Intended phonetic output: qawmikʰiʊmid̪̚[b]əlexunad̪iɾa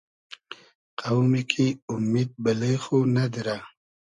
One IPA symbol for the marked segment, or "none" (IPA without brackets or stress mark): b